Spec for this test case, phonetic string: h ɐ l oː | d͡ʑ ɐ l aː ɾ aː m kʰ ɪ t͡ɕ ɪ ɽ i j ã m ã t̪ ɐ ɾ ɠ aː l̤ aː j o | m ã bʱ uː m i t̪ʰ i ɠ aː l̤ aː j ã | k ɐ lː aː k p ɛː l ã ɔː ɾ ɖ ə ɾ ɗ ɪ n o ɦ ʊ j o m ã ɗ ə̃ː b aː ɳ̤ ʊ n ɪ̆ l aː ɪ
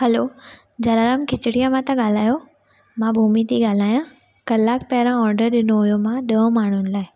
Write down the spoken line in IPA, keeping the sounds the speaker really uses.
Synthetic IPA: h ɐ l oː | d͡ʑ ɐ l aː ɾ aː m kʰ ɪ t͡ɕ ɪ ɽ i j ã m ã t̪ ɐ ɠ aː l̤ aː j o | m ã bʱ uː m i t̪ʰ i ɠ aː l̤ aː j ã | k ɐ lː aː k p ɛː ɾ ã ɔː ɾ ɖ ə ɾ ɗ ɪ n o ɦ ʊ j o m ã ɗ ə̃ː m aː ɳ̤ ʊ n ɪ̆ l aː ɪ